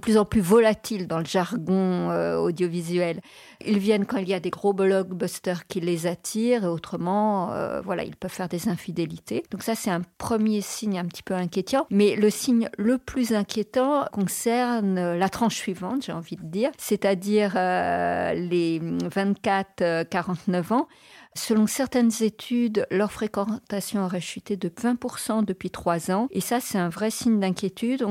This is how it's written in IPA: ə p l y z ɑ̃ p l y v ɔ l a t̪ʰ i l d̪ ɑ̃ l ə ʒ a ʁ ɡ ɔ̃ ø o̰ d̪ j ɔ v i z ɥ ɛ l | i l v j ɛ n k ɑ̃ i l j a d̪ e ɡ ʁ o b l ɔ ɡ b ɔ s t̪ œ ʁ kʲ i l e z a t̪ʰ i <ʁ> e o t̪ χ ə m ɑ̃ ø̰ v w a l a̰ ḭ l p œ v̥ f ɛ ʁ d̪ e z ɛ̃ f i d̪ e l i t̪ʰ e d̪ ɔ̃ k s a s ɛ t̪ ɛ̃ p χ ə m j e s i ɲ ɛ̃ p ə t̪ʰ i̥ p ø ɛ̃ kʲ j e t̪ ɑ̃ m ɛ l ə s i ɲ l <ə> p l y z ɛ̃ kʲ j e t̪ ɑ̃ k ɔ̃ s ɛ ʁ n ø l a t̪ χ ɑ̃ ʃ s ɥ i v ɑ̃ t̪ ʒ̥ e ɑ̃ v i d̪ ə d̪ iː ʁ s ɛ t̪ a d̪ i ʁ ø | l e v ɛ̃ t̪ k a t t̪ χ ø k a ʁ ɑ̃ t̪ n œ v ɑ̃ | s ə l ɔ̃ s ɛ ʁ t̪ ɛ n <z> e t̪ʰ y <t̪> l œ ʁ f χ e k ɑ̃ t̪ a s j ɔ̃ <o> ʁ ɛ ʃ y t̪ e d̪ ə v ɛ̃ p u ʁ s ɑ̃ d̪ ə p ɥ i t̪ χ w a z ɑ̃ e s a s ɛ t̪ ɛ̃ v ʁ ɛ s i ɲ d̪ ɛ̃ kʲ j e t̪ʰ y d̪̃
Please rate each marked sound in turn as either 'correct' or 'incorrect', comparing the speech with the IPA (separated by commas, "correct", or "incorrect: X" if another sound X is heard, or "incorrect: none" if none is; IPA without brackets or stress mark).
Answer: correct, correct, correct, incorrect: d̪, incorrect: ɔ